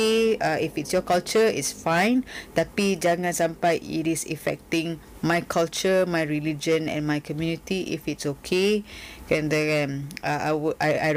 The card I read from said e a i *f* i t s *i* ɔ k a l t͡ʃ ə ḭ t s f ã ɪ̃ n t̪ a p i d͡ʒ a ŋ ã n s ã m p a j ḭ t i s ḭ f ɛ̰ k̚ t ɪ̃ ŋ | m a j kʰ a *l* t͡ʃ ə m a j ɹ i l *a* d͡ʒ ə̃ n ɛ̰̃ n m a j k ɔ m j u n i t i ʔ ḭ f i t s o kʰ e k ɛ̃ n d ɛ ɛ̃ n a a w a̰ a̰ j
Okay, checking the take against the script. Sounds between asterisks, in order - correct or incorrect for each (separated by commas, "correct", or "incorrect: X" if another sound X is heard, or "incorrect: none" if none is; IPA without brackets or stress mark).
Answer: correct, incorrect: j, correct, incorrect: i